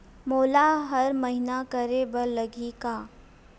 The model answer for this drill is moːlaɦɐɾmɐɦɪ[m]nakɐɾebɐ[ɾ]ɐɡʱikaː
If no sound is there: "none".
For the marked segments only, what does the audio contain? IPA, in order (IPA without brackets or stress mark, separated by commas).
none, l